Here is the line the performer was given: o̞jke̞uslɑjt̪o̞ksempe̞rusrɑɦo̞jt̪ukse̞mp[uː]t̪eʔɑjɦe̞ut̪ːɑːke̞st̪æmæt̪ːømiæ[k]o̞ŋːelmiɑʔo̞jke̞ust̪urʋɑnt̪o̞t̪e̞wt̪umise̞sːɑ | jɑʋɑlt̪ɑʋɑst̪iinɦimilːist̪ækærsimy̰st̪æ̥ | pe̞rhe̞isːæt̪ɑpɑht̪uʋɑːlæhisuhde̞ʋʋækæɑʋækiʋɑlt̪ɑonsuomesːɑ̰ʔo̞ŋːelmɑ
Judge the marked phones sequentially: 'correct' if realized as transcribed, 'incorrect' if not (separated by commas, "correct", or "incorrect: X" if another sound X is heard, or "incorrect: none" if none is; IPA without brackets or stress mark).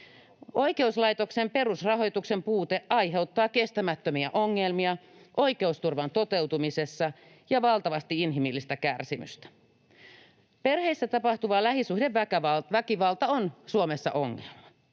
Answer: correct, incorrect: ʔ